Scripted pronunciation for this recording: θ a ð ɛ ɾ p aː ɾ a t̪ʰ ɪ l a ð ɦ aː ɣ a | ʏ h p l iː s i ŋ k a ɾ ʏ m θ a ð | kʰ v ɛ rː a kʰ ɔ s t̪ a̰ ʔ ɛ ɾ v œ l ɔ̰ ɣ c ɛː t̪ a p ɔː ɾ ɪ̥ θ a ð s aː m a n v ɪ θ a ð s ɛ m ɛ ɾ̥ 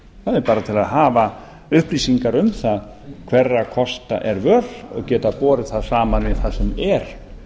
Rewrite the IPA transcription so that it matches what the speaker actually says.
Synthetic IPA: θ a ð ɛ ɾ p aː ɾ a t̪ʰ ɪ l a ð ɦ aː v a | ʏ h p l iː s i ŋ k a ɾ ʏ m θ a ð | kʰ v ɛ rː a kʰ ɔ s t̪ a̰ ʔ ɛ ɾ v œ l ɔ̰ ɣ c ɛː t̪ a p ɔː ɾ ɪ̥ θ a ð s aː m a n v ɪ θ a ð s ɛ m ɛ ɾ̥